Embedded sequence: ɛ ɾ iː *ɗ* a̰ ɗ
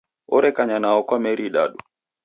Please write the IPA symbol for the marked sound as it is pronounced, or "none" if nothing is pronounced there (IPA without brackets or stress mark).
ɗ